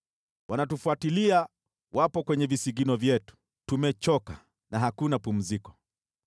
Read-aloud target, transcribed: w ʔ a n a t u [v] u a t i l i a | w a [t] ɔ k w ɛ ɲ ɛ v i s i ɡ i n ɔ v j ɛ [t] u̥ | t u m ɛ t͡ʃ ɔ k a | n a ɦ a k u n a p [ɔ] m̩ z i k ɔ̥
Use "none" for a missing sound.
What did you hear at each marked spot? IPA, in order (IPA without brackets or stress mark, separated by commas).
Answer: f, p, t, u